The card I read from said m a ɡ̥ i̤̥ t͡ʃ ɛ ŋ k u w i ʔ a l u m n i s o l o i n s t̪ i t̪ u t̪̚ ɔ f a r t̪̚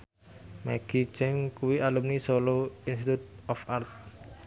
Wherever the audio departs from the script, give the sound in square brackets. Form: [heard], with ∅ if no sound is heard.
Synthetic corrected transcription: m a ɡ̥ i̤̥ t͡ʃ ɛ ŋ k u w i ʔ a l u m n i s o l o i n s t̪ i t̪ u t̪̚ ɔ f a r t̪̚

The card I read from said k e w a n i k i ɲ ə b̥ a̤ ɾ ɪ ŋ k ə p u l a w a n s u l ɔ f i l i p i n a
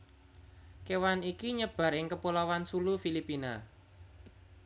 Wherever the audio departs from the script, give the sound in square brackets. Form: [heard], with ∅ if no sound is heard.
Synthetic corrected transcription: k e w a n i k i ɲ ə b̥ a̤ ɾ ɪ ŋ k ə p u l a w a n s u l [u] f i l i p i n a

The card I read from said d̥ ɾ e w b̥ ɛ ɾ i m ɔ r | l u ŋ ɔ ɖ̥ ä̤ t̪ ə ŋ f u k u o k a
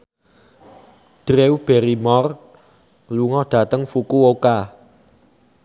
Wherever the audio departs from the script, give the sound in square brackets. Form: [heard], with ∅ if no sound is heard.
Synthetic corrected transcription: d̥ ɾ e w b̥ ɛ ɾ i m ɔ r | l u ŋ ɔ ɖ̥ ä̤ t̪ ə ŋ f u k u o k a

